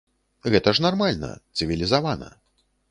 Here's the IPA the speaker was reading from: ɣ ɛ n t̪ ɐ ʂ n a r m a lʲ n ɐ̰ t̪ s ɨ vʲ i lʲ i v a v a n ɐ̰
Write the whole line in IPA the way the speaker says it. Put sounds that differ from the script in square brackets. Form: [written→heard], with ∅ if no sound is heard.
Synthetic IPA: ɣ ɛ [n→∅] t̪ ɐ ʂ n a r m a lʲ n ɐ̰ t̪ s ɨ vʲ i lʲ i [v→z] a v a n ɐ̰

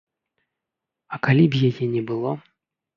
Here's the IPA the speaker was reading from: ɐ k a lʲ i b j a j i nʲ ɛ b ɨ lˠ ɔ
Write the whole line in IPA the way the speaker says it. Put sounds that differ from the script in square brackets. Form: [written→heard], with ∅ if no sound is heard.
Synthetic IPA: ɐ k a lʲ i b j a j [i→ɛ] nʲ ɛ b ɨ lˠ ɔ

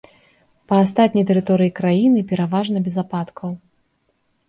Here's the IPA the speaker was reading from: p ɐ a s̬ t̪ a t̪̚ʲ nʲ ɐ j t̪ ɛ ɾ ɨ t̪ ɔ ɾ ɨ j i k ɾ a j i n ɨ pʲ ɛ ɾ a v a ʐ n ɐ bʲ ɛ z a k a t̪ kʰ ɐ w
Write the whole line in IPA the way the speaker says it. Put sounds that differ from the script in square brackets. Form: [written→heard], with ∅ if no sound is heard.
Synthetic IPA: p ɐ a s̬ t̪ a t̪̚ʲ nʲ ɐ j t̪ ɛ ɾ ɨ t̪ ɔ ɾ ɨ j i k ɾ a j i n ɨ pʲ ɛ ɾ a v a ʐ n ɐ bʲ ɛ z a [k→p] a t̪ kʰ ɐ w

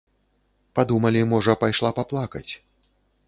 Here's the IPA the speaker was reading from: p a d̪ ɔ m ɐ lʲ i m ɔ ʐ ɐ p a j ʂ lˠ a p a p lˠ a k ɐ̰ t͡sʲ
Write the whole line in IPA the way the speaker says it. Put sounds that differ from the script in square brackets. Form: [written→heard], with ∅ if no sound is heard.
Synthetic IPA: p a d̪ [ɔ→u] m ɐ lʲ i m ɔ ʐ ɐ p a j ʂ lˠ a p a p lˠ a k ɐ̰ t͡sʲ

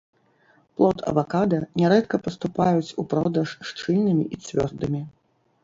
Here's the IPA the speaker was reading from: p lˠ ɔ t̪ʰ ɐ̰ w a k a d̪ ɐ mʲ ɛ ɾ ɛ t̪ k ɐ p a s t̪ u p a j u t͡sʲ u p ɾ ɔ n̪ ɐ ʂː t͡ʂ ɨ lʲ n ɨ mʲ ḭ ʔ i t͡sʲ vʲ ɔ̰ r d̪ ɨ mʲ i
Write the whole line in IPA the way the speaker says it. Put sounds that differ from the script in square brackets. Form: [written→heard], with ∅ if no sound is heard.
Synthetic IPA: p lˠ ɔ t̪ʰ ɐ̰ [w→v] a k a d̪ ɐ [mʲ→nʲ] ɛ ɾ ɛ t̪ k ɐ p [a→ɐ] s t̪ u p a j u t͡sʲ u p ɾ ɔ [n̪→d̪] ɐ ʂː t͡ʂ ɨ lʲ n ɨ mʲ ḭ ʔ i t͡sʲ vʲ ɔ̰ r d̪ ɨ mʲ i

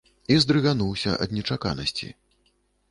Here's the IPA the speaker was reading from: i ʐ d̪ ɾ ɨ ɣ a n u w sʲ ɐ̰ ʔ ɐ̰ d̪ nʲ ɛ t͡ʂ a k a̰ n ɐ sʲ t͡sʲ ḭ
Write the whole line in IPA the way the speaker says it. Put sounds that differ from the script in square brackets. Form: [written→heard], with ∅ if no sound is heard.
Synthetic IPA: i [ʐ→z] d̪ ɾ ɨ ɣ a n u w sʲ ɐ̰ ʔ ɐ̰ d̪ nʲ ɛ t͡ʂ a k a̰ n ɐ sʲ t͡sʲ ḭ

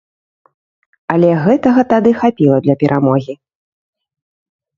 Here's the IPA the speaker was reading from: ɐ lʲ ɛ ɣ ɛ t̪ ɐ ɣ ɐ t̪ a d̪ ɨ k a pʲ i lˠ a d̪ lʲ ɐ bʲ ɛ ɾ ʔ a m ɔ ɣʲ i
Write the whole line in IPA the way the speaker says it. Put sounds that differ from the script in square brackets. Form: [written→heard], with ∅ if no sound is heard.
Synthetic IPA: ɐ lʲ ɛ ɣ ɛ t̪ ɐ ɣ ɐ t̪ a d̪ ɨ [k→x] a pʲ i lˠ [a→ɐ] d̪ lʲ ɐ [bʲ→pʲ] ɛ ɾ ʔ a m ɔ ɣʲ i

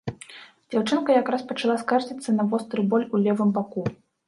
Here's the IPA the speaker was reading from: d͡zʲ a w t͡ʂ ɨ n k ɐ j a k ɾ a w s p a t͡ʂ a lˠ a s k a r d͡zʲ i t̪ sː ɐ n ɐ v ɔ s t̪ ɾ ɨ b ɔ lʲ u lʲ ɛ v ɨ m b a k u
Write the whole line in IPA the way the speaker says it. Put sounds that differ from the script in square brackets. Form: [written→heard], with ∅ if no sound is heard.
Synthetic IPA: d͡zʲ a w t͡ʂ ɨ n k ɐ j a k ɾ a [w→∅] s p [a→ɐ] t͡ʂ a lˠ a s k a r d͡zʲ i t̪ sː ɐ n ɐ v ɔ s t̪ ɾ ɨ b ɔ lʲ u lʲ ɛ v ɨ m b a k u

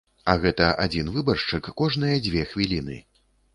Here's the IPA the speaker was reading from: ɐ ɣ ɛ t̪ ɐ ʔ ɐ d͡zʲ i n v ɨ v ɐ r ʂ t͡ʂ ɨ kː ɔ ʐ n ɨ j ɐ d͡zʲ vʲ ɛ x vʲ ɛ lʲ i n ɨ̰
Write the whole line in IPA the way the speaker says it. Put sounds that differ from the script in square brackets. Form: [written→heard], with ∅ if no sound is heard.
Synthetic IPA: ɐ ɣ ɛ t̪ ɐ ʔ [ɐ→a] d͡zʲ i n v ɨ [v→b] ɐ r ʂ t͡ʂ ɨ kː ɔ ʐ n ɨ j ɐ d͡zʲ vʲ ɛ x vʲ [ɛ→i] lʲ i n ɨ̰

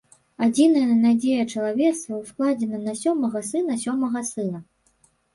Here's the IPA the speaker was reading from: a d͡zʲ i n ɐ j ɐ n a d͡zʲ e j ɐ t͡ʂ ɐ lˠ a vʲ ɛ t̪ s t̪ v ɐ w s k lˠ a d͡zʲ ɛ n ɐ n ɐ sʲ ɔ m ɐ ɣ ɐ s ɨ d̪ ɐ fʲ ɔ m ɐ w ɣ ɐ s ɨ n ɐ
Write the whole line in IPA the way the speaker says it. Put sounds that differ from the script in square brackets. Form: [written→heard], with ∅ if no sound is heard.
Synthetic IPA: a d͡zʲ i n ɐ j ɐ n a d͡zʲ e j ɐ t͡ʂ ɐ lˠ a vʲ ɛ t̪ s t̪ v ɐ w s k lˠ a d͡zʲ ɛ n ɐ n ɐ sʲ ɔ m ɐ ɣ ɐ s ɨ [d̪→n̪] ɐ [fʲ→sʲ] ɔ m ɐ [w→∅] ɣ ɐ s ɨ n ɐ

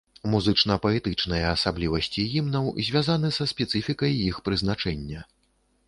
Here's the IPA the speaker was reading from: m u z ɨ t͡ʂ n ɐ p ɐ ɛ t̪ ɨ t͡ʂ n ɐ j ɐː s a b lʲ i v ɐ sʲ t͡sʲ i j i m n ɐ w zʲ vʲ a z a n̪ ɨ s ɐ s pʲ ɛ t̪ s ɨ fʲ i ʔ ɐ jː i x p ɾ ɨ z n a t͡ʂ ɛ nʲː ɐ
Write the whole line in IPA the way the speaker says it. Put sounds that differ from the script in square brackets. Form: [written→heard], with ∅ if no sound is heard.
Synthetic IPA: m u z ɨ t͡ʂ n ɐ p ɐ ɛ t̪ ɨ t͡ʂ n ɐ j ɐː s a b lʲ i v ɐ sʲ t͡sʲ i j i m n ɐ w zʲ vʲ a z a n̪ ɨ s ɐ s pʲ ɛ t̪ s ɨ fʲ i [ʔ→k] ɐ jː i x p ɾ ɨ z n a t͡ʂ ɛ nʲː ɐ

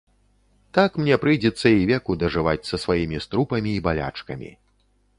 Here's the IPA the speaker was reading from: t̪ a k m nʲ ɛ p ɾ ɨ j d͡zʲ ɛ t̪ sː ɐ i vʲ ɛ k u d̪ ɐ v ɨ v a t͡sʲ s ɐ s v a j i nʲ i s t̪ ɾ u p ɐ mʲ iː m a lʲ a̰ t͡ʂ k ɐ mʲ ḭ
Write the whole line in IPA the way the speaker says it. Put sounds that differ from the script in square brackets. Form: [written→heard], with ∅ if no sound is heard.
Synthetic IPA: t̪ a k m nʲ ɛ p ɾ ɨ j d͡zʲ ɛ t̪ sː ɐ i vʲ ɛ k u d̪ ɐ [v→ʐ] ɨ v a t͡sʲ s ɐ s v a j i [nʲ→mʲ] i s t̪ ɾ u p ɐ mʲ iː [m→b] a lʲ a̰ t͡ʂ k ɐ mʲ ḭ

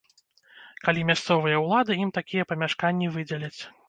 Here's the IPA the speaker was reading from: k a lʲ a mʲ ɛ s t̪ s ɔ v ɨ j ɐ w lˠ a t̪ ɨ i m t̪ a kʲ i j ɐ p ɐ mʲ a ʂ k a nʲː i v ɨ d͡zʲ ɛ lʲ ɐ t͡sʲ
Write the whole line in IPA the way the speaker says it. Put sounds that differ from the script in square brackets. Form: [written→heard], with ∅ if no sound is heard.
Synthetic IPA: k a lʲ [a→i] mʲ [ɛ→a] s t̪ s ɔ v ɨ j ɐ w lˠ a [t̪→d̪] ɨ i m t̪ a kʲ i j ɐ p ɐ mʲ a ʂ k a nʲː i v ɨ d͡zʲ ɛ lʲ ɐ t͡sʲ

